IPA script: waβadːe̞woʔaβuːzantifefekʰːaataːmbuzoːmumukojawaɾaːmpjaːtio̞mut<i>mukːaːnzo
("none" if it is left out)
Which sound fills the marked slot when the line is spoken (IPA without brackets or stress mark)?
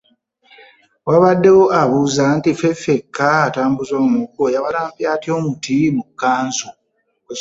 i